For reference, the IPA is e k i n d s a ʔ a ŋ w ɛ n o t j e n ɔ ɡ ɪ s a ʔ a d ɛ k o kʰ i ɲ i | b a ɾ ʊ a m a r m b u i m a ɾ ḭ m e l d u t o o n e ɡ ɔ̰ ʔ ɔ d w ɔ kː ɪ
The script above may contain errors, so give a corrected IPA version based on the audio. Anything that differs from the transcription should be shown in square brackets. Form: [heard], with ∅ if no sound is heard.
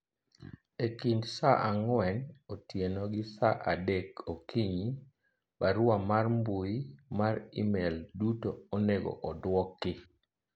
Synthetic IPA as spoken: e k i n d s a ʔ a ŋ w ɛ n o t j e n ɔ ɡ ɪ s a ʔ a d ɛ k o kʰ i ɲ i | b a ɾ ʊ a m a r m b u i m a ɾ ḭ m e l d u t o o n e ɡ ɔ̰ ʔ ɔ d w ɔ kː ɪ